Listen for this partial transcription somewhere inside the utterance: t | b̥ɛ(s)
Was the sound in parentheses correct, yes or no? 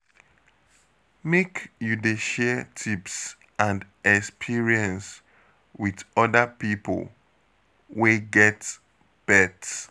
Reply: no